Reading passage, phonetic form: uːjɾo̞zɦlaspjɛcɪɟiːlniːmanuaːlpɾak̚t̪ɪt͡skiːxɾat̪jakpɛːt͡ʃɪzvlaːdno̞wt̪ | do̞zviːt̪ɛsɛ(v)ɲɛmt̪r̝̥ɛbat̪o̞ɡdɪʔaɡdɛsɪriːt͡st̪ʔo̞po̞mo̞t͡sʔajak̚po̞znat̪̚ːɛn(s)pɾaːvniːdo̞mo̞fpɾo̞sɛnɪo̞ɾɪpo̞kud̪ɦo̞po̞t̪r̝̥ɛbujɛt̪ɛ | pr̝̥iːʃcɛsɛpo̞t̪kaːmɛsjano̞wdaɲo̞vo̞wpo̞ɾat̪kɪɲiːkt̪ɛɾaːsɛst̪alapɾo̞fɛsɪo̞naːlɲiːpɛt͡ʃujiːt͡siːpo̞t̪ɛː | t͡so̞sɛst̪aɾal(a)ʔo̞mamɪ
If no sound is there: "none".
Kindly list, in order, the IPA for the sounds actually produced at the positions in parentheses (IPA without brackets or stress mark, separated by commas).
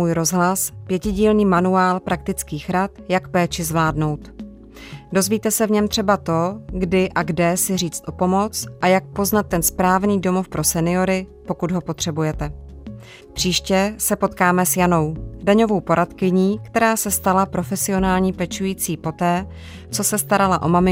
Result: v, s, a